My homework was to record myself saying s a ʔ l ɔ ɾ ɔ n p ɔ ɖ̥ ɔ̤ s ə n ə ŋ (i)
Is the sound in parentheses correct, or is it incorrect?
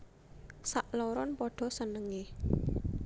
incorrect